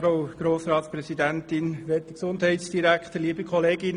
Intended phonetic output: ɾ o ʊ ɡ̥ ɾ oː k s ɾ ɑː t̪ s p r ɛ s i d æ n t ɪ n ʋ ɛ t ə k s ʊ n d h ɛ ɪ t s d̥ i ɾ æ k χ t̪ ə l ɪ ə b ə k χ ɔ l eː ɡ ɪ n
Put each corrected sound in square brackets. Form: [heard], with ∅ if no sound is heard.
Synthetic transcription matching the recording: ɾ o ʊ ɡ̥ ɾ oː [∅] s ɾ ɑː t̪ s p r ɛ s i d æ n t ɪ n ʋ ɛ t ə k s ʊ n d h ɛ ɪ t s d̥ i ɾ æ k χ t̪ ə l [i] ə b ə k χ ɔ l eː ɡ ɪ n